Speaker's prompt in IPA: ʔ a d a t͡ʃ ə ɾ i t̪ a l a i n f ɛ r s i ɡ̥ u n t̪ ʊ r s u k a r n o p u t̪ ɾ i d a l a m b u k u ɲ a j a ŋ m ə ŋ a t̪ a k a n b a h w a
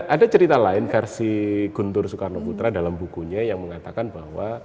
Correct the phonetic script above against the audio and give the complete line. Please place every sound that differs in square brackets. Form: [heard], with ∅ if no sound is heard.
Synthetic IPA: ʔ a d a t͡ʃ ə ɾ i t̪ a l a [ɪ] n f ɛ r s i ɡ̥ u n t̪ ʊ r s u k a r n o p u t̪ ɾ [a] d a l a m b u k u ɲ a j a ŋ m ə ŋ a t̪ a k a n b a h w a